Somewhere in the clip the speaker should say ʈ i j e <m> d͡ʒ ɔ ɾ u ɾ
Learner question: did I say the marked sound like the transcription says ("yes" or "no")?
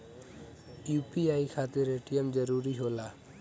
yes